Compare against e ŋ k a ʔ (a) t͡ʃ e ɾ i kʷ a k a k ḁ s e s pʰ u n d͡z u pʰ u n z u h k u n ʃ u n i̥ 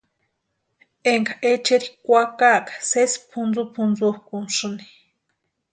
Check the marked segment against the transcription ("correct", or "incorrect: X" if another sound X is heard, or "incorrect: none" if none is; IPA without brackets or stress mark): incorrect: e